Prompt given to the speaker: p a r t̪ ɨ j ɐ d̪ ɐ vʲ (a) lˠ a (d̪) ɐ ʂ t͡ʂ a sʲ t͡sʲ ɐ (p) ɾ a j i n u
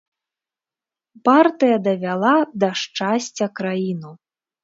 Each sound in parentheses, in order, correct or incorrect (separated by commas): correct, correct, incorrect